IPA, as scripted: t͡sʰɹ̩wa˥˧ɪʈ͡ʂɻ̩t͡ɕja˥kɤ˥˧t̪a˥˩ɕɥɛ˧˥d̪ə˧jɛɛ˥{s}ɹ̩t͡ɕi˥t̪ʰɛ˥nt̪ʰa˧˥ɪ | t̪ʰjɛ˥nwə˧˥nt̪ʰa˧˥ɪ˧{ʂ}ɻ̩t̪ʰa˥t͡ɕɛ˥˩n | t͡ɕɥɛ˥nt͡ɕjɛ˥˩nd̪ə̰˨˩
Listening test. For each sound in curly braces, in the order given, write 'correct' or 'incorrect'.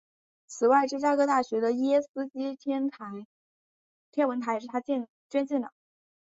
correct, correct

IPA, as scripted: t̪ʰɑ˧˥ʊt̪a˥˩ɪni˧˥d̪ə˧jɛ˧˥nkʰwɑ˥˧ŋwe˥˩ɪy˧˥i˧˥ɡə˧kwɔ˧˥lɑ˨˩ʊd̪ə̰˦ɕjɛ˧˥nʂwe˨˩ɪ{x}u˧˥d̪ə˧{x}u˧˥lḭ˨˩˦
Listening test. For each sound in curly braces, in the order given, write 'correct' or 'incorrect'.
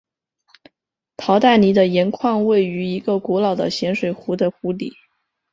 correct, correct

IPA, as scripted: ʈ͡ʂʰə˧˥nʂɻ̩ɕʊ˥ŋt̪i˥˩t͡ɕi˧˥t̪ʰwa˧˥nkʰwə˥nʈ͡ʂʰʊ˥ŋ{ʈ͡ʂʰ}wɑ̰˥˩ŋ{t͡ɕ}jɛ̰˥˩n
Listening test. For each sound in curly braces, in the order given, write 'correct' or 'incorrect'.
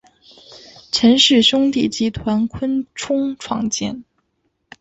correct, correct

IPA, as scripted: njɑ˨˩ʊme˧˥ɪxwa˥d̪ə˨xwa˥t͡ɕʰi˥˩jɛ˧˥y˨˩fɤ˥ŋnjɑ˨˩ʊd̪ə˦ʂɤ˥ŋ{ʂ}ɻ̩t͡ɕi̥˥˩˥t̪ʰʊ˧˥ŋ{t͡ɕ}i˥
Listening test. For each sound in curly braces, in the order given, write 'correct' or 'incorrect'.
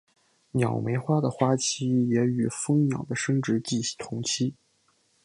incorrect: ʈ͡ʂ, incorrect: t͡ɕʰ

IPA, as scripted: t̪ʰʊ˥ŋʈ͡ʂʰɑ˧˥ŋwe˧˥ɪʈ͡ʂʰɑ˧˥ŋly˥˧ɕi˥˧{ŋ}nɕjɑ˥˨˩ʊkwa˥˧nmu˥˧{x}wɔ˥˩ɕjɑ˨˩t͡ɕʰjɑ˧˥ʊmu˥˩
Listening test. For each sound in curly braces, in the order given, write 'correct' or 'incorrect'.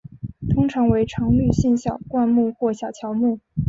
incorrect: none, correct

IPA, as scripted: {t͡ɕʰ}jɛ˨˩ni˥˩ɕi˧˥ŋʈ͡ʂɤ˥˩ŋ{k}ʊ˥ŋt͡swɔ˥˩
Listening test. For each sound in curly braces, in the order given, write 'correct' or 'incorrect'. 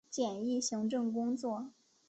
incorrect: t͡ɕ, correct

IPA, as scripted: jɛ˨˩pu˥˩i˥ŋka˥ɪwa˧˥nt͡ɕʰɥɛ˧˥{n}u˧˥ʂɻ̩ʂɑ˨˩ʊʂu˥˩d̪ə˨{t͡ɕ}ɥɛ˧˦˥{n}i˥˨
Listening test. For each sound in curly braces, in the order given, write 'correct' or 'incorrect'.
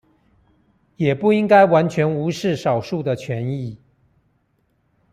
correct, incorrect: t͡ɕʰ, correct

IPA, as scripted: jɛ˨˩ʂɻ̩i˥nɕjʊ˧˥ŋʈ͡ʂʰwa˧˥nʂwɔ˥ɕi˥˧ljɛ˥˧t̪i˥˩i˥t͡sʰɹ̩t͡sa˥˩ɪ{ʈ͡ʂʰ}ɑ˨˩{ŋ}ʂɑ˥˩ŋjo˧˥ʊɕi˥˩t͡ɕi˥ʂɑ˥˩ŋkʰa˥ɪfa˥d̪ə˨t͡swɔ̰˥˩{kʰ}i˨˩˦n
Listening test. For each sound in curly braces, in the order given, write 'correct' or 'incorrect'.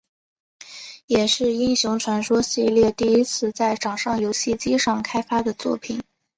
incorrect: ʈ͡ʂ, correct, incorrect: pʰ

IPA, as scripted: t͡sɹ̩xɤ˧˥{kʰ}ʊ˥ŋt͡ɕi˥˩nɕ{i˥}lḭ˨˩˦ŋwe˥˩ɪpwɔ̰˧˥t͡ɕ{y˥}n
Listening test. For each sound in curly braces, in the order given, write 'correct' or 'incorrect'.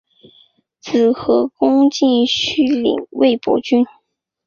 incorrect: k, incorrect: y˥, correct

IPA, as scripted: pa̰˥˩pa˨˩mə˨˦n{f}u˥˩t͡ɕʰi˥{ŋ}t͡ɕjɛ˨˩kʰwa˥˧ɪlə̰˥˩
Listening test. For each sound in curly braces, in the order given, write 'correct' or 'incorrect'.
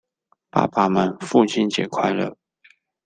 correct, incorrect: n

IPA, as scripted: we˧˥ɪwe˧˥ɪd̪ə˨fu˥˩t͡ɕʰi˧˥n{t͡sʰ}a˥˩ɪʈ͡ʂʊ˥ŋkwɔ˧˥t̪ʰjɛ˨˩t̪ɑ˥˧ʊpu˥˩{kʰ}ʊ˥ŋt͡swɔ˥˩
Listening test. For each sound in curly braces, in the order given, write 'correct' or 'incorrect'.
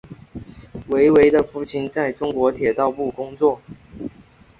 incorrect: t͡s, incorrect: k

